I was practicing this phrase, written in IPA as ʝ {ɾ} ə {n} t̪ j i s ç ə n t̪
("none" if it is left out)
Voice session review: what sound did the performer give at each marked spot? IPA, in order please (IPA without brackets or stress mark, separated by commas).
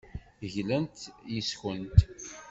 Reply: l, n